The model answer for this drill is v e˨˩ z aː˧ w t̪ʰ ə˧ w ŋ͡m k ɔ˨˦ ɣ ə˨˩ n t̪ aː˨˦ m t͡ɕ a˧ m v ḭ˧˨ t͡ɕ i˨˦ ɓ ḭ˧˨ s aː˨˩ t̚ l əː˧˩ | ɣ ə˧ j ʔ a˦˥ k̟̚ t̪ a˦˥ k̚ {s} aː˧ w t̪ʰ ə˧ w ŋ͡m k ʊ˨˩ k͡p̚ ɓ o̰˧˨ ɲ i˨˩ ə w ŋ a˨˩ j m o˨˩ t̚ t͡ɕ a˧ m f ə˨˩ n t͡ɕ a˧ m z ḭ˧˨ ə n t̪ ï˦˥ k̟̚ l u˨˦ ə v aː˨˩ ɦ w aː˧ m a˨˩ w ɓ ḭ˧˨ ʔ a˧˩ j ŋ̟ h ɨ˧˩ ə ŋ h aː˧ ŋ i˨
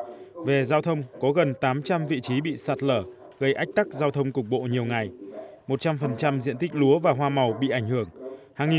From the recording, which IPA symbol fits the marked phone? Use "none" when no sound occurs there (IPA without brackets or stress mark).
z